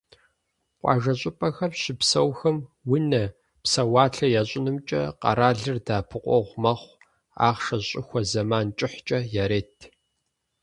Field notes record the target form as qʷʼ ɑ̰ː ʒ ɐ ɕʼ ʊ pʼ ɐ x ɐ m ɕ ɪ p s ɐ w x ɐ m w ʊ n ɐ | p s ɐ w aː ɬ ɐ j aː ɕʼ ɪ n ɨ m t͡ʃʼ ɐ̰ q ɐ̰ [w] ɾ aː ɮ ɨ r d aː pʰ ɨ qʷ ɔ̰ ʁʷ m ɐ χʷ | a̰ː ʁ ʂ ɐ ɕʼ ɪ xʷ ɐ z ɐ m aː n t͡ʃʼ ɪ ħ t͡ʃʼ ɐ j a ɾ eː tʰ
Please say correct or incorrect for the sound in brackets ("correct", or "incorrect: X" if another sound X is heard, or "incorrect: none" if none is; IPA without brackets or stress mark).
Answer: incorrect: none